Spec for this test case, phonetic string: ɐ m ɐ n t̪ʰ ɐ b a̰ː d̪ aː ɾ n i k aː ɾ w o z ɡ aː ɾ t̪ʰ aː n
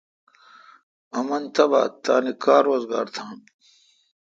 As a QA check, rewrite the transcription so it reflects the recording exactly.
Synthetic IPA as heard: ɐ m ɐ n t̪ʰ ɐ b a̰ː t̪ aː n i k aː ɾ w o z ɡ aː ɾ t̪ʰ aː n

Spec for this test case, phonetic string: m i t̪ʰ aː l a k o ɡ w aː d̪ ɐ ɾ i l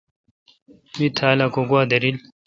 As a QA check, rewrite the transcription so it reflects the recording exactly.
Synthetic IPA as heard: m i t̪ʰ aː l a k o ɡ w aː d̪ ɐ ɾ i l

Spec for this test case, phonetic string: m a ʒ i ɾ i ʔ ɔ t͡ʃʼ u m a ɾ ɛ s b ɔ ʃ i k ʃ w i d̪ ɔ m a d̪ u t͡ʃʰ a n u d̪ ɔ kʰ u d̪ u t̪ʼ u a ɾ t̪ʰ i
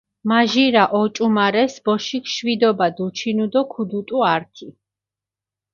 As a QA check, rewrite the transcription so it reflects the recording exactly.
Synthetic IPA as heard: m a ʒ i ɾ a ʔ ɔ t͡ʃʼ u m a ɾ ɛ s b ɔ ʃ i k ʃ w i d̪ ɔ b a d̪ u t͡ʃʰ i n u d̪ ɔ kʰ u d̪ u t̪ʼ u a ɾ t̪ʰ i

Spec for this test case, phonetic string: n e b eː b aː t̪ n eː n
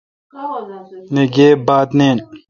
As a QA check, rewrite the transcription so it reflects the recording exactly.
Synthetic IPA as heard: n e ɡ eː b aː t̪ n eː n

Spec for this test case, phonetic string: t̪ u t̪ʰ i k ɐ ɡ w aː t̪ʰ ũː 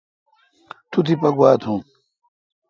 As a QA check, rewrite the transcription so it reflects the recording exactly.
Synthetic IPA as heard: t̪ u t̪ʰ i p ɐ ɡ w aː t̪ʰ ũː

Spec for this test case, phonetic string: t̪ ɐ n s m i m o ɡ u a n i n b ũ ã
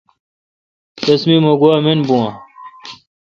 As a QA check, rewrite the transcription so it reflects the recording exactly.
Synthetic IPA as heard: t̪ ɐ s m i m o ɡ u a m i n b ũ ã

